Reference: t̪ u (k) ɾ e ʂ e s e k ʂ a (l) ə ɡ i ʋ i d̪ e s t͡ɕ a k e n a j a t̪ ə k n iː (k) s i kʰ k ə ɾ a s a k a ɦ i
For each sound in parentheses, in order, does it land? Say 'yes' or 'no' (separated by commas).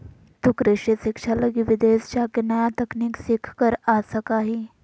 yes, yes, yes